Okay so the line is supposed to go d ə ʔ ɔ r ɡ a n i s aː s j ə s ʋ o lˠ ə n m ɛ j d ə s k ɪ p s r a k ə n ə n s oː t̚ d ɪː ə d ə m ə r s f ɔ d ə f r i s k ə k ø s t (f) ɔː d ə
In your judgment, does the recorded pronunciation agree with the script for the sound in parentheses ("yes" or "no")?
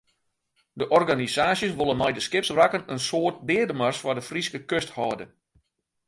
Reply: no